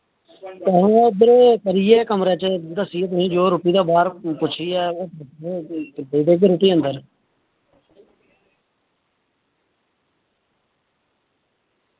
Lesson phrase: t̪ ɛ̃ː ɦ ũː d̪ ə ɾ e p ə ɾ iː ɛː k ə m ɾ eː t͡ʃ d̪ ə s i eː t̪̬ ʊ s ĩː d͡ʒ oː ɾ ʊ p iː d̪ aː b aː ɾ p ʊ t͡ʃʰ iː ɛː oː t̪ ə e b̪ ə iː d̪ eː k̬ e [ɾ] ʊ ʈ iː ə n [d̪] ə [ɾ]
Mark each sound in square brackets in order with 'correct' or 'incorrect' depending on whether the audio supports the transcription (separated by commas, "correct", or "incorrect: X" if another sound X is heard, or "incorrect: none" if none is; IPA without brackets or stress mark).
correct, correct, correct